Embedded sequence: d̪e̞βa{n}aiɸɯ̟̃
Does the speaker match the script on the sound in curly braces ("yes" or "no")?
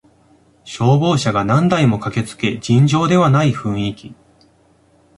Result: yes